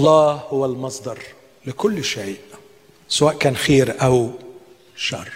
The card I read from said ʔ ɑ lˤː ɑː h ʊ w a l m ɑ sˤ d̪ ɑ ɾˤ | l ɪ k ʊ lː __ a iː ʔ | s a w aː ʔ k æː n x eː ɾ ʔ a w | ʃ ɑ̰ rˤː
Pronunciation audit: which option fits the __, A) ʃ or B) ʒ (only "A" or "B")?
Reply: A